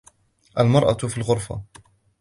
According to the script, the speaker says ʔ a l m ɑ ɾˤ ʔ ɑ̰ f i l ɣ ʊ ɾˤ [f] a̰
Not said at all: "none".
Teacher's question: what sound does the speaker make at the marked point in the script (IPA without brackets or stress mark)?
f